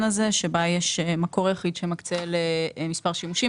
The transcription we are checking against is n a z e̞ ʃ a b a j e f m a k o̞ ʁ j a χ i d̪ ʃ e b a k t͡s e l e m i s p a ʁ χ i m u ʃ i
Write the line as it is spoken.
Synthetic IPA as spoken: n a z e̞ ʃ e b a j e ʃ m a k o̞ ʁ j a χ i d̪ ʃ e m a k t͡s e l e m i s p a ʁ ʃ i m u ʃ i